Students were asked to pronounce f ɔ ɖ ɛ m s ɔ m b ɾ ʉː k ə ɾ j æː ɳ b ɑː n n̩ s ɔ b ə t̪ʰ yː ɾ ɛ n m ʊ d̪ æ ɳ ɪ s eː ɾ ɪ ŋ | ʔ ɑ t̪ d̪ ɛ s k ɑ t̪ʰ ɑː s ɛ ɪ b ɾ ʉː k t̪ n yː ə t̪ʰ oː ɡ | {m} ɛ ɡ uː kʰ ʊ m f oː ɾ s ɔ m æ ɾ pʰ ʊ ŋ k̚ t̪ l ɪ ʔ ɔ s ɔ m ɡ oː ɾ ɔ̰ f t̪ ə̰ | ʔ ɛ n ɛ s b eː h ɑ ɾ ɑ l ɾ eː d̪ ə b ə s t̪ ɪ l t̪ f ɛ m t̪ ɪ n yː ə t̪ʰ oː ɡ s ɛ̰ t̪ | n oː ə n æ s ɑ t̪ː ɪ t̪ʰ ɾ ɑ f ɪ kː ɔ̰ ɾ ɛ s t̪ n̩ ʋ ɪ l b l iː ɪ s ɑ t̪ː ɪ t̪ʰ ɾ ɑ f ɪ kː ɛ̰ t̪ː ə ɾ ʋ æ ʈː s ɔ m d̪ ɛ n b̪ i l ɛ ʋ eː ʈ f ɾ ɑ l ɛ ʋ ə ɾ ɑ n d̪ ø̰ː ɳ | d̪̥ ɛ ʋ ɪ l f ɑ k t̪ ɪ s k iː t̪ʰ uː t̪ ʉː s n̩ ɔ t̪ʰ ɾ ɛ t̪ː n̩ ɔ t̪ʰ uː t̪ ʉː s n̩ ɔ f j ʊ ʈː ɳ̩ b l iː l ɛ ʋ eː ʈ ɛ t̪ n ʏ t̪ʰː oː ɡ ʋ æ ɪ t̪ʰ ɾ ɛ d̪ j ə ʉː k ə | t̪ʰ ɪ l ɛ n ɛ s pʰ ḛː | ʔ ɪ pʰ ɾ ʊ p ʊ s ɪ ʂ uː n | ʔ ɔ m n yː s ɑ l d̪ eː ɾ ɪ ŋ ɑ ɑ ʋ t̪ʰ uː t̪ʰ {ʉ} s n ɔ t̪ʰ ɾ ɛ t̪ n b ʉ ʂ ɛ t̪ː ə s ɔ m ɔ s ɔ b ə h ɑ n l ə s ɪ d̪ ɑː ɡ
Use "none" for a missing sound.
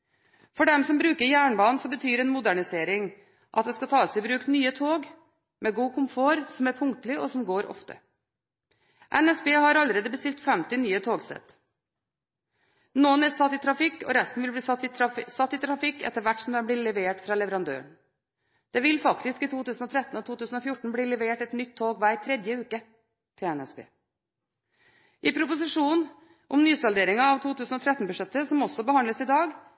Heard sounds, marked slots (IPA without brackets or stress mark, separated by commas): m, ʉː